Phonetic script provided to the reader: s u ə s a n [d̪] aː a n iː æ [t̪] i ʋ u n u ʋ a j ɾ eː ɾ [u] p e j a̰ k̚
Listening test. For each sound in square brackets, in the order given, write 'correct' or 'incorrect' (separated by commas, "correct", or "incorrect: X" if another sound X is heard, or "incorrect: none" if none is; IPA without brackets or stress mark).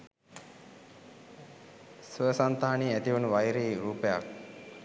incorrect: t̪, correct, incorrect: uː